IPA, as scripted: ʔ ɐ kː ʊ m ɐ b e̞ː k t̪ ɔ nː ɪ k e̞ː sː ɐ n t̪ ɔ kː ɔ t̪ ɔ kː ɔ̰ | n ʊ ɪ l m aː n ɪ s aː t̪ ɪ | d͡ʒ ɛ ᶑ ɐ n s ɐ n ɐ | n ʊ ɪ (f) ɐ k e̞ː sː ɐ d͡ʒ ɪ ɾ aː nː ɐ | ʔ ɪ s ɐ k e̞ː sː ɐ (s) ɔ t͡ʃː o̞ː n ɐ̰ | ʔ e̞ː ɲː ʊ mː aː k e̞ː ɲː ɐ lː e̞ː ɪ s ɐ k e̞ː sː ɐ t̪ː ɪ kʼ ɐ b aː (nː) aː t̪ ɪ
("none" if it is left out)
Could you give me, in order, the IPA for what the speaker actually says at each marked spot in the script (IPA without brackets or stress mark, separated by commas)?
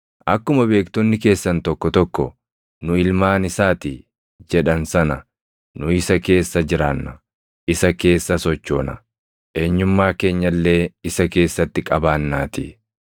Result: s, s, nː